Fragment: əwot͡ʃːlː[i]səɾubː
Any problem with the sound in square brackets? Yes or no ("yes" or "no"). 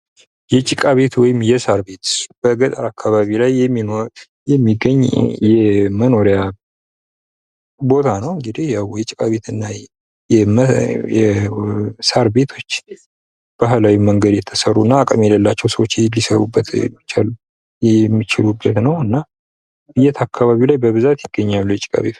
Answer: no